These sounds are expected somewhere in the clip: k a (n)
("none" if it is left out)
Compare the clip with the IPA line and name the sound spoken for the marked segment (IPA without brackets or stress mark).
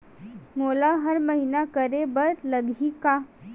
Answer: none